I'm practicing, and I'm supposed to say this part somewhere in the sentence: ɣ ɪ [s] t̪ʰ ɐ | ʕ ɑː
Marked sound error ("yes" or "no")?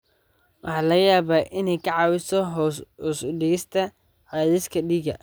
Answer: no